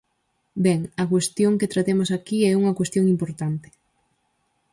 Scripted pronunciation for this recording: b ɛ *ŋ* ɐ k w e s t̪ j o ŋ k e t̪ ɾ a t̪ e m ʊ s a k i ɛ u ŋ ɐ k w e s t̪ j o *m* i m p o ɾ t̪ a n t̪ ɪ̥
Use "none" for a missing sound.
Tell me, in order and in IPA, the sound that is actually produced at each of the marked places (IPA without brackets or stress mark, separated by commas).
ŋ, ŋ